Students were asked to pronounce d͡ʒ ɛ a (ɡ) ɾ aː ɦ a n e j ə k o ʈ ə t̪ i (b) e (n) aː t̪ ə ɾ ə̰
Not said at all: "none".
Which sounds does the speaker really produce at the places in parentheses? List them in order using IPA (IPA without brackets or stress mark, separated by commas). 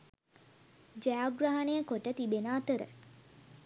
ɡ, b, n